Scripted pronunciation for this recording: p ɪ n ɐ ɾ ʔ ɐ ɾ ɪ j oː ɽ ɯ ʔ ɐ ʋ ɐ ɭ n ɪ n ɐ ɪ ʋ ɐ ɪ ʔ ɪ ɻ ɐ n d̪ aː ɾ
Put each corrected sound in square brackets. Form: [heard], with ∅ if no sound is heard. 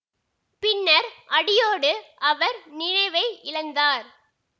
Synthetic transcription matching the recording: p ɪ [nː] ɐ ɾ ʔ ɐ [ɽ] ɪ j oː ɽ ɯ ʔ ɐ ʋ ɐ [ɾ] n ɪ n ɐ ɪ ʋ ɐ ɪ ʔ ɪ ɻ ɐ n d̪ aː ɾ